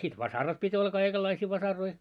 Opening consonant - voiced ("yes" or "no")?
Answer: no